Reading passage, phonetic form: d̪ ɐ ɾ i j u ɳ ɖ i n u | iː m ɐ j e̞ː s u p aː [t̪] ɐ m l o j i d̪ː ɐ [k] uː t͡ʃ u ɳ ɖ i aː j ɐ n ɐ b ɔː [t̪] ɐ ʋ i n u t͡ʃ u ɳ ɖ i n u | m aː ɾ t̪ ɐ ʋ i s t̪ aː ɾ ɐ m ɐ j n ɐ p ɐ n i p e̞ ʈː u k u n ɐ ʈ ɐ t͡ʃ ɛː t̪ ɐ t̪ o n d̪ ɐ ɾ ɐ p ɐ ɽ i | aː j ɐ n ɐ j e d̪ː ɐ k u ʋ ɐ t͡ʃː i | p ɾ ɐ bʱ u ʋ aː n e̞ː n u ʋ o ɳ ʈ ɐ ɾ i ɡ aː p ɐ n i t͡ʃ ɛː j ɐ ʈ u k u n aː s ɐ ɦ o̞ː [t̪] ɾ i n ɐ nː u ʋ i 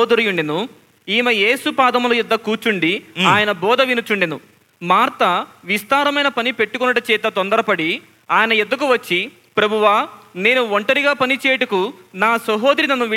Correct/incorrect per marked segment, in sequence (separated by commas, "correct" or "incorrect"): incorrect, correct, incorrect, incorrect